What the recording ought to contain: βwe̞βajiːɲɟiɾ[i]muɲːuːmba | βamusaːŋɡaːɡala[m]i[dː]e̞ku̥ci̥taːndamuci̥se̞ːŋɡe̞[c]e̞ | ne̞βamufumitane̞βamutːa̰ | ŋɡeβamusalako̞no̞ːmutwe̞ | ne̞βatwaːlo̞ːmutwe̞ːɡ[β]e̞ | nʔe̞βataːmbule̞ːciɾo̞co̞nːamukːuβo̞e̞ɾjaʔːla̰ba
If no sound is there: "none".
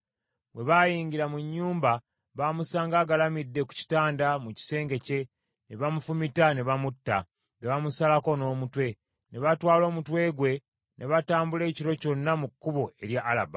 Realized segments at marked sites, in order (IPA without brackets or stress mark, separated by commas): a, m, dː, c, w